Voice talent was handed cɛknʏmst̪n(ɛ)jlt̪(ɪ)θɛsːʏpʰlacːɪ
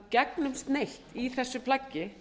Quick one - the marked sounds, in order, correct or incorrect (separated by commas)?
incorrect, incorrect